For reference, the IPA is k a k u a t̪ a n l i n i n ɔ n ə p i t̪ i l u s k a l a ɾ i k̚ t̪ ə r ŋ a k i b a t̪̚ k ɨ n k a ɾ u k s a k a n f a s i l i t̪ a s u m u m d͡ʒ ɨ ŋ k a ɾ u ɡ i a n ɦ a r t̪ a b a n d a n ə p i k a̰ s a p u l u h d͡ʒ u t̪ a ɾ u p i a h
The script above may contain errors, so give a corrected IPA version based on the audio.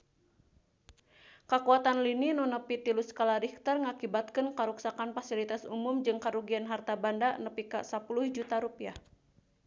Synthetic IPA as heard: k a k u a t̪ a n l i n i n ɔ n ə p i t̪ i l u s k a l a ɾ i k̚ t̪ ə r ŋ a k i b a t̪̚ k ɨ n k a ɾ u k s a k a n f a s i l i t̪ a s u m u m d͡ʒ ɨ ŋ k a ɾ u ɡ i a n ɦ a r t̪ a b a n d a n ə p i k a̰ s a p u l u h d͡ʒ u t̪ a ɾ u p i a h